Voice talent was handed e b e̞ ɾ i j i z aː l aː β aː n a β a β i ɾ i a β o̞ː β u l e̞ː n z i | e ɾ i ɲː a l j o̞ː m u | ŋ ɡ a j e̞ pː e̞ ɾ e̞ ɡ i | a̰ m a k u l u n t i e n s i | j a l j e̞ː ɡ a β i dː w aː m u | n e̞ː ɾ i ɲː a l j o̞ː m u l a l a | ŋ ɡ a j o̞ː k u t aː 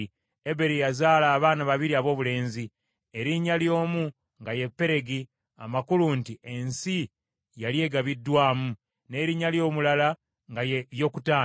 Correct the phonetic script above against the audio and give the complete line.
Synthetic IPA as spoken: e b e̞ ɾ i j a z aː l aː β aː n a β a β i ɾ i a β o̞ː β u l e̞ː n z i | e ɾ i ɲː a l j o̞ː m u | ŋ ɡ a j e̞ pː e̞ ɾ e̞ ɡ i | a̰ m a k u l u n t i e n s i | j a l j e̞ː ɡ a β i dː w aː m u | n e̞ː ɾ i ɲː a l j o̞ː m u l a l a | ŋ ɡ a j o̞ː k u t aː

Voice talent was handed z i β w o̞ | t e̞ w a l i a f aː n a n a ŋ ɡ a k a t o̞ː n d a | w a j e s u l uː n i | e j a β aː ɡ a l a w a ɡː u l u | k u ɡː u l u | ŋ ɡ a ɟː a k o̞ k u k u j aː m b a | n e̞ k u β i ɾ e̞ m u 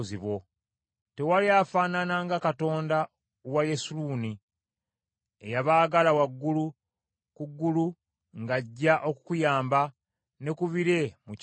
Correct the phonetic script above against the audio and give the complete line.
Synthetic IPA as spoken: z i β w o̞ | t e̞ w a l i a f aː n a n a ŋ ɡ a k a t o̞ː n d a | w a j e s u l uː n i | e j a β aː ɡ a l a w a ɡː u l u | k u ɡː u l u | ŋ ɡ a ɟː a ʔ o̞ k u k u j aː m b a | n e̞ k u β i ɾ e̞ m u

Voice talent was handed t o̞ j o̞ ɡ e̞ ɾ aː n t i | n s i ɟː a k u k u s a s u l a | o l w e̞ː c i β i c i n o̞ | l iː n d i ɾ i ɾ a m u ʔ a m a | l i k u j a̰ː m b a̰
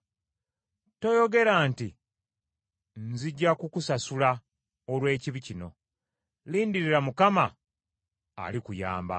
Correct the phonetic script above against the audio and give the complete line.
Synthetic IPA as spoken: t o̞ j o̞ ɡ e̞ ɾ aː n t i | n z i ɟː a k u k u s a s u l a | o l w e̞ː c i β i c i n o̞ | l iː n d i ɾ i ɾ a m u k a m a | l i k u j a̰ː m b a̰

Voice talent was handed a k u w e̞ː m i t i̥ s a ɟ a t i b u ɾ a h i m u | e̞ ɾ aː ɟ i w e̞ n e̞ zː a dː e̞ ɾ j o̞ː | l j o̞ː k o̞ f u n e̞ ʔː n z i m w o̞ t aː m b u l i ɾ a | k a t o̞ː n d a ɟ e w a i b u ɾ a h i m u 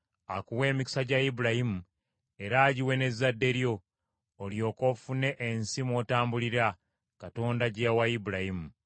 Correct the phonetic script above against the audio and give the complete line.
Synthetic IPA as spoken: a k u w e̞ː m i k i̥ s a ɟ a i b u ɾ a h i m u | e̞ ɾ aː ɟ i w e̞ n e̞ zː a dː e̞ ɾ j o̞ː | l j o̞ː k o̞ f u n e̞ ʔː n s i m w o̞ t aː m b u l i ɾ a | k a t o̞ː n d a ɟ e w a i b u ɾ a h i m u

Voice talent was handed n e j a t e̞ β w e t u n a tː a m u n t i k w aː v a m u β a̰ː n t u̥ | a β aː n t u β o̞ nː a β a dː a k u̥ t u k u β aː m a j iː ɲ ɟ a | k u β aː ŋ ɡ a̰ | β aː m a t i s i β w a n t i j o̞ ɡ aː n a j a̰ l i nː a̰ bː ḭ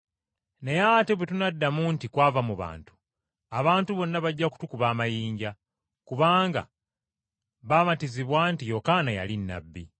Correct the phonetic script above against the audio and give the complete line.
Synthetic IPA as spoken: n e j a t e̞ β w e t u n a dː a m u n t i k w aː v a m u β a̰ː n t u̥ | a β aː n t u β o̞ nː a β a ɟː a k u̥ t u k u β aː m a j iː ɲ ɟ a | k u β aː ŋ ɡ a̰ | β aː m a t i z i β w a n t i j o̞ k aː n a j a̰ l i nː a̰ bː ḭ

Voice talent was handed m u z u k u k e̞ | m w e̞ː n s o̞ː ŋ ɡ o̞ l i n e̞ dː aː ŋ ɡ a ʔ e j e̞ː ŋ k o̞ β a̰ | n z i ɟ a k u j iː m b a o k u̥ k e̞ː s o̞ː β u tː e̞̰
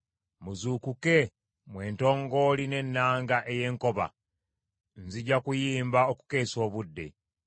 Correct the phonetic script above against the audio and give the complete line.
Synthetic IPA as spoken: m u z u k u k e̞ | m w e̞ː n t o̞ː ŋ ɡ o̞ l i n e̞ nː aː ŋ ɡ a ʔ e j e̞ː ŋ k o̞ β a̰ | n z i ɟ a k u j iː m b a o k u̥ k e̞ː s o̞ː β u dː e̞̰

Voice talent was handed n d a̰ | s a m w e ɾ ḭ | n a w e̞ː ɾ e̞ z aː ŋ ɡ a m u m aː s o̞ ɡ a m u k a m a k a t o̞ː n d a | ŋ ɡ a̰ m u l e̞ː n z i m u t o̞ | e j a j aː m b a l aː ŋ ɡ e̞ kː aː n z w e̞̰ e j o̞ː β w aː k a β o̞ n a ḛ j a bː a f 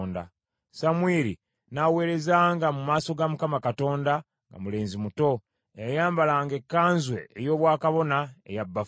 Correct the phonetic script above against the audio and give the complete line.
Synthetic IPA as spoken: n d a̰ | s a m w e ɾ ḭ | n a w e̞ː ɾ e̞ z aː ŋ ɡ a m u m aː s o̞ ɡ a m u k a m a k a t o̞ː n d a | ŋ ɡ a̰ m u l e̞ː n z i m u t o̞ | e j a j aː m b a l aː ŋ ɡ e̞ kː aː n z w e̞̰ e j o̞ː β w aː k a β o̞ n a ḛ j a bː a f

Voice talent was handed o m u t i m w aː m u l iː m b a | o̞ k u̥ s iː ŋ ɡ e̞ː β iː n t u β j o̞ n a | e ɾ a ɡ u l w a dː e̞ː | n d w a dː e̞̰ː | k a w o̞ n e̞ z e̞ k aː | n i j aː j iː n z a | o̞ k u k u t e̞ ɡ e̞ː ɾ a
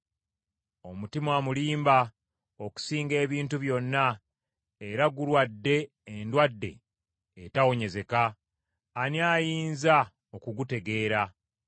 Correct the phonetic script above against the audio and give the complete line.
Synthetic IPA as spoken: o m u t i m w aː m u l iː m b a | o̞ k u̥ s iː ŋ ɡ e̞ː β iː n t u β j o̞ nː a | e ɾ a ɡ u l w a dː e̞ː | n d w a dː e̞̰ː | t a w o̞ ɲ e̞ z e̞ k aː | n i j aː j iː n z a | o̞ k u ɡ u t e̞ ɡ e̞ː ɾ a

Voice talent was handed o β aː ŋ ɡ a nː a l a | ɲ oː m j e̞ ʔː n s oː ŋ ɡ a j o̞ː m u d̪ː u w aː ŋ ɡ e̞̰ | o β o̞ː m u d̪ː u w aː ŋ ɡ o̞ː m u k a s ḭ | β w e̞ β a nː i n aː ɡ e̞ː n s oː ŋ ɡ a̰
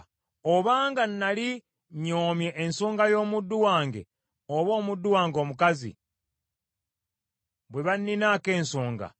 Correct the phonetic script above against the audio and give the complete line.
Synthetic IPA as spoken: o β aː ŋ ɡ a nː a l i | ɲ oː m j e̞ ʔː n s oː ŋ ɡ a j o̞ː m u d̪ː u w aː ŋ ɡ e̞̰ | o β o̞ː m u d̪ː u w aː ŋ ɡ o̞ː m u k a z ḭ | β w e̞ β a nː i n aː k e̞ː n s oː ŋ ɡ a̰

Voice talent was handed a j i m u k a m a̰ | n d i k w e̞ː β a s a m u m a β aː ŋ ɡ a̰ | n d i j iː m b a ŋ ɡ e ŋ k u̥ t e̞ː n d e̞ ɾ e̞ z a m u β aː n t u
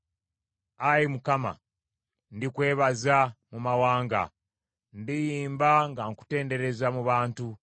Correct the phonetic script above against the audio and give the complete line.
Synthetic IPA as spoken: a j i m u k a m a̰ | n d i k w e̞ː β a z a m u m a w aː ŋ ɡ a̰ | n d i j iː m b a ŋ ɡ a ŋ k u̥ t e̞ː n d e̞ ɾ e̞ z a m u β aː n t u

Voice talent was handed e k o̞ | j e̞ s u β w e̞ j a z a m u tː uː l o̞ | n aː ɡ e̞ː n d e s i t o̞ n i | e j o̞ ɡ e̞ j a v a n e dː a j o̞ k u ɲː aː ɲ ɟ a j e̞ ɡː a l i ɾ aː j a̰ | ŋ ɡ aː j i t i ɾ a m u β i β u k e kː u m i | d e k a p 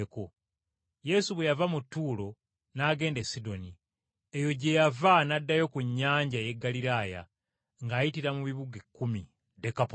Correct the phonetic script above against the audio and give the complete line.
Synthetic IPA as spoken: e k o̞ | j e̞ s u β w e̞ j a v a m u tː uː l o̞ | n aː ɡ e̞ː n d e s i d o̞ n i | e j o̞ ɟ e̞ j a v a n a dː a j o̞ k u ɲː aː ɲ ɟ a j e̞ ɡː a l i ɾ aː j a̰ | ŋ ɡ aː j i t i ɾ a m u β i β u ɡ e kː u m i | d e k a p

